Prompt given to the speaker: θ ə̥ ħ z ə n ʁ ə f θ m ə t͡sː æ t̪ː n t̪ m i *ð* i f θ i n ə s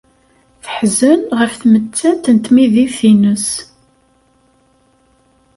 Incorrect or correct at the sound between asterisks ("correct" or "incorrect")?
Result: correct